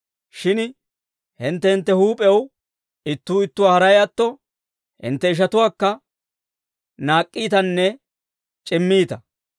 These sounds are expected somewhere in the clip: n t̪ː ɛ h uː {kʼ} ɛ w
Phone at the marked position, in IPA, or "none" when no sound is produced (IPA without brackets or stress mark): pʼ